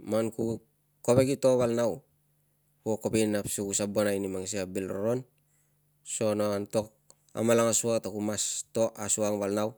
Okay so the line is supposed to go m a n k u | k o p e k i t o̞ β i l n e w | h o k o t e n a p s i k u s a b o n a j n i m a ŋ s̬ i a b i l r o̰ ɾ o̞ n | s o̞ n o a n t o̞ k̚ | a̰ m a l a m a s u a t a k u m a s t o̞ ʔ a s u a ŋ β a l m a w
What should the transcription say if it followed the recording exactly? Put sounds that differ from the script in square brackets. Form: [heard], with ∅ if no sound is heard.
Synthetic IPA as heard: m a n k u | k o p e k i t o̞ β [a] l n [a] w | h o k o [p] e n a p s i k u s a b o n a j n i m a ŋ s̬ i a b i l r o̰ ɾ o̞ n | s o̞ n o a n t o̞ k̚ | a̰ m a l a [ŋ] a s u a t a k u m a s t o̞ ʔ a s u a ŋ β a l [n] a w